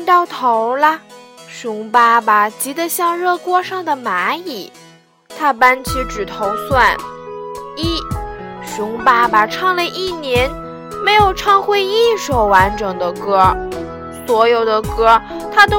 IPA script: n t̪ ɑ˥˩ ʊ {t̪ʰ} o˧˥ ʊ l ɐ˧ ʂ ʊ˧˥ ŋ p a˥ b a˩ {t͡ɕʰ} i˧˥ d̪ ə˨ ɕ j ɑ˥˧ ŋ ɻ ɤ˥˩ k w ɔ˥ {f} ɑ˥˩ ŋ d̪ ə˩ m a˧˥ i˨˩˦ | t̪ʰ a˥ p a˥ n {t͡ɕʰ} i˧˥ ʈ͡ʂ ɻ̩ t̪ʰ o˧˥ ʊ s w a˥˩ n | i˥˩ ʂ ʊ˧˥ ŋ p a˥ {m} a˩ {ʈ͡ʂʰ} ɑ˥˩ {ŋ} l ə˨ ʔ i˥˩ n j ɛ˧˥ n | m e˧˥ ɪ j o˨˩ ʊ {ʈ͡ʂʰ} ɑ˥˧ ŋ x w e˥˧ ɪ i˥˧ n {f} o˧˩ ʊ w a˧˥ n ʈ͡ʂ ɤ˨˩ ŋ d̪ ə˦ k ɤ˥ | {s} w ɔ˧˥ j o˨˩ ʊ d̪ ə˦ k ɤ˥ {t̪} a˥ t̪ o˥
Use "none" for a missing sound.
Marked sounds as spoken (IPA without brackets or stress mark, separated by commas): t̪ʰ, t͡ɕ, ʂ, t͡ɕʰ, b, ʈ͡ʂʰ, ŋ, ʈ͡ʂʰ, ʂ, s, t̪ʰ